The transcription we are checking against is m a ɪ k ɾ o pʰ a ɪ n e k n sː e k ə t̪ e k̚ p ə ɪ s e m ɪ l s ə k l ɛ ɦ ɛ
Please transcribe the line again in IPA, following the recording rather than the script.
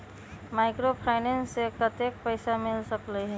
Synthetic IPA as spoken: m a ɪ k ɾ o pʰ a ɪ n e n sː e k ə t̪ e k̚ p ə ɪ s a m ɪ l s ə k l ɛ ɦ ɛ